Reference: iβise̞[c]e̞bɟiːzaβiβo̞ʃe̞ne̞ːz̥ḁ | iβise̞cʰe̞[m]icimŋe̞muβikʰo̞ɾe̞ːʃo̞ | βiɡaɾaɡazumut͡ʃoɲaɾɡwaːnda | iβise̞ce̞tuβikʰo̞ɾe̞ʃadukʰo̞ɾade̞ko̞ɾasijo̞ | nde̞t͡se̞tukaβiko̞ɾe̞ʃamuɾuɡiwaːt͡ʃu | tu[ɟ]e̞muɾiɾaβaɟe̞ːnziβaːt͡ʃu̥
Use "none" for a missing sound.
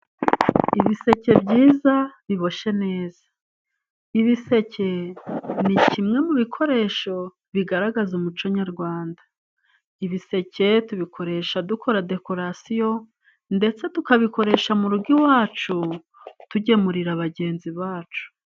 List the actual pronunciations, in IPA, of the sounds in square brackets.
c, n, ɟ

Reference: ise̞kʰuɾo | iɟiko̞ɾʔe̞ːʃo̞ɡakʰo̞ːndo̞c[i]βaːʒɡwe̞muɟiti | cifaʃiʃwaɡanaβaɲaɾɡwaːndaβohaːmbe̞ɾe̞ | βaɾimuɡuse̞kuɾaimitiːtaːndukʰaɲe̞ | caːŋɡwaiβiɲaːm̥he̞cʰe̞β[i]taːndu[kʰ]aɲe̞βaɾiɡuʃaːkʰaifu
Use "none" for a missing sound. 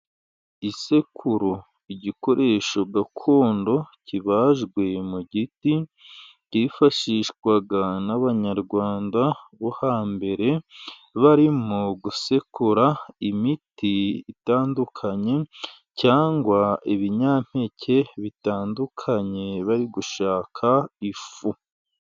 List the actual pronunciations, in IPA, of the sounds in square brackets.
i, i, kʰ

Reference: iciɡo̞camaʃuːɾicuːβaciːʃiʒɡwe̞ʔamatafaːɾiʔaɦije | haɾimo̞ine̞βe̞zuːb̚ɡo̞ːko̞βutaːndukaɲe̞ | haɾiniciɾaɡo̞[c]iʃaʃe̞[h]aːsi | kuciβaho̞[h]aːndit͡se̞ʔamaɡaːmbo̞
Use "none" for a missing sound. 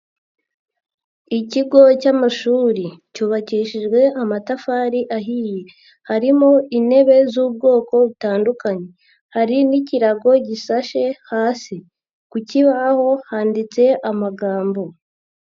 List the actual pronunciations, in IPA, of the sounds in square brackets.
ɟ, h, h

